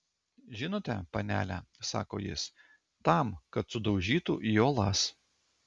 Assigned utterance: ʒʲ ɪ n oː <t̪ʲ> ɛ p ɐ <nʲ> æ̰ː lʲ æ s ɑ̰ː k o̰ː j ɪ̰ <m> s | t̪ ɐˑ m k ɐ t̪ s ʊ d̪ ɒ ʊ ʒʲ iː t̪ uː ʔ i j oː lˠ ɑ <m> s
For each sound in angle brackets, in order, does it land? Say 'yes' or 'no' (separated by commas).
yes, yes, no, no